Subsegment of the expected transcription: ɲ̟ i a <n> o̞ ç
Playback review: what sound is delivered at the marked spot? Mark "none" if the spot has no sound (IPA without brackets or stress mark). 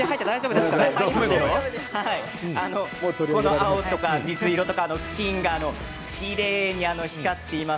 n